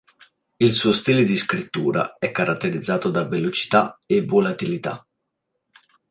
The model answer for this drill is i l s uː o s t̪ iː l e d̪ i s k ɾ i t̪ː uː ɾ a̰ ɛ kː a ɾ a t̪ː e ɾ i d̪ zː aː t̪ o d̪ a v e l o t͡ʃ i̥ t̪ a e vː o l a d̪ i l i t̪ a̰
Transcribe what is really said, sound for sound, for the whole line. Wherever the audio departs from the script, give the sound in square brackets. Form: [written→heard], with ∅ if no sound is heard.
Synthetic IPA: i l s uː o s t̪ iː l e d̪ i s k ɾ i t̪ː uː ɾ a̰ ɛ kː a ɾ a t̪ː e ɾ i d̪ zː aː t̪ o d̪ a v e l o t͡ʃ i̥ t̪ a e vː o l a [d̪→t̪] i l i t̪ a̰